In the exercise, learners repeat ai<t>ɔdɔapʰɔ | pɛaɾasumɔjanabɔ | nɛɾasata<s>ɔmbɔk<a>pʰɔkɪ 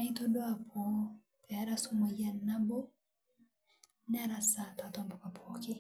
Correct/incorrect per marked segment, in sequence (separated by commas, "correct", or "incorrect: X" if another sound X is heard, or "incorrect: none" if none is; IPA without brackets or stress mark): correct, incorrect: t, correct